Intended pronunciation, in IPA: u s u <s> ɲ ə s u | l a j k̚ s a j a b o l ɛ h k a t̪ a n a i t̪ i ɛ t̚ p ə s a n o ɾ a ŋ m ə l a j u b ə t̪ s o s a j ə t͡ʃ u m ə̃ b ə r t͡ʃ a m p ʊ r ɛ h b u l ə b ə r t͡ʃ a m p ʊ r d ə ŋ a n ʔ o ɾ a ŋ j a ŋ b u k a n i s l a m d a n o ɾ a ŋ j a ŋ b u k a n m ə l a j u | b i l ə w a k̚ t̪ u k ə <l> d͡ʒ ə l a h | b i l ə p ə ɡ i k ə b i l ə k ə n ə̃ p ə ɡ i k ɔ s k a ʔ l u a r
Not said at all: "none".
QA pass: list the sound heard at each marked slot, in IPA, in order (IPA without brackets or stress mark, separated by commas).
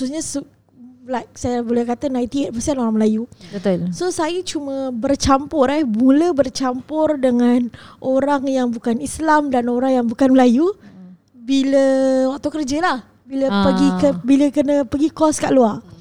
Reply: s, r